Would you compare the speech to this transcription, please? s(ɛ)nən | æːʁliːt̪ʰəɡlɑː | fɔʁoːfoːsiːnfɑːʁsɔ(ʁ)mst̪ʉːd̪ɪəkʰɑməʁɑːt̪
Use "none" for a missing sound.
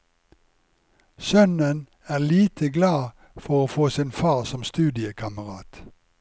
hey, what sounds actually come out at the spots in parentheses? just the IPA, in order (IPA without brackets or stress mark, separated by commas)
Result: œ, none